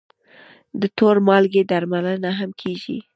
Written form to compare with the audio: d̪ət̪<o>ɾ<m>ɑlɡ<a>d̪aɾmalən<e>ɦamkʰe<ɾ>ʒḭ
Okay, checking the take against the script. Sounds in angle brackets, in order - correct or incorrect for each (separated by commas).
correct, correct, incorrect, incorrect, incorrect